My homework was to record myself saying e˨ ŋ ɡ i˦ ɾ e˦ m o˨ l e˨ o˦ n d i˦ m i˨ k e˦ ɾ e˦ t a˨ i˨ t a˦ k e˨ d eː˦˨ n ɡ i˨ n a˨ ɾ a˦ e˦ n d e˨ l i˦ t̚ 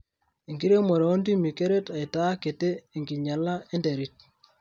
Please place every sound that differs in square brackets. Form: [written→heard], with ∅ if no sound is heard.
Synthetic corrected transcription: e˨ ŋ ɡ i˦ ɾ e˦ m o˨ [l→ɾ] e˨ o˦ n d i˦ m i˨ k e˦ ɾ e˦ t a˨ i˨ t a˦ k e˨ [d→t] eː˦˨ [n→ŋ] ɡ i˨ [n→ɲ] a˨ [ɾ→l] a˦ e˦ n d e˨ [l→ɾ] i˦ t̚